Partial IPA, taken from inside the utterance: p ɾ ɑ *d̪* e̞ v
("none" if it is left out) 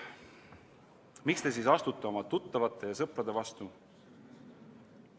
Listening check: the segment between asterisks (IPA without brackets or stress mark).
d̪